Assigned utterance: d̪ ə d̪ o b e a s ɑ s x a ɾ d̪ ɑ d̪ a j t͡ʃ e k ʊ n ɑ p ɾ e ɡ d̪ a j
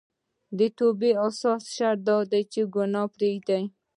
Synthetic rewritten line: d̪ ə t̪ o b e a s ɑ s ʃ a ɾ d̪ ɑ d̪ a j t͡ʃ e ɡ ʊ n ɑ p ɾ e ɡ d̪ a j